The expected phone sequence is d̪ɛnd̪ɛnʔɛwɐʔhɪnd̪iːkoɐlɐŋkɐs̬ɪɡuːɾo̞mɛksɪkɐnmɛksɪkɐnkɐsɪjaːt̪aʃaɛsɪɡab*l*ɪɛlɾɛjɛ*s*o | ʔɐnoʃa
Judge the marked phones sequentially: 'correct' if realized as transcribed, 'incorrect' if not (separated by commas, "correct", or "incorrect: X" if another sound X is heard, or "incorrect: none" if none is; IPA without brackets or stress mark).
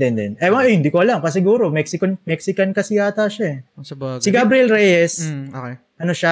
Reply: incorrect: ɾ, correct